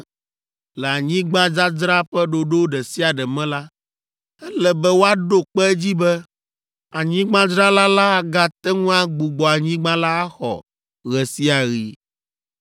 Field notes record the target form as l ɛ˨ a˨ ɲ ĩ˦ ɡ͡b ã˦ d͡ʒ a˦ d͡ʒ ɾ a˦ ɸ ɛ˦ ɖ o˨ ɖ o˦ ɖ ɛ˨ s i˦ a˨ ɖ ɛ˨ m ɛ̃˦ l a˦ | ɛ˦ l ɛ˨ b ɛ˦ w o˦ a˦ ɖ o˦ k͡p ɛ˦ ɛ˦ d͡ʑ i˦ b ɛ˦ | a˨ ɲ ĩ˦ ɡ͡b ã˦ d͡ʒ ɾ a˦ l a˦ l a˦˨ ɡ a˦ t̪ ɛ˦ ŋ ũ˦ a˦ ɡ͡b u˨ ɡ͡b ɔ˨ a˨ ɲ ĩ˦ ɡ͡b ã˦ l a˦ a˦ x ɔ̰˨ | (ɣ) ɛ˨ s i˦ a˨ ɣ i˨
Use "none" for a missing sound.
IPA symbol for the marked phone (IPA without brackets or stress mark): ɣ